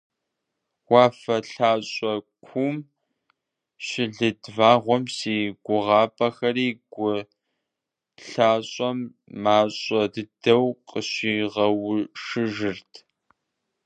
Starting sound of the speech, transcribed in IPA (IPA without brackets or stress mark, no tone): w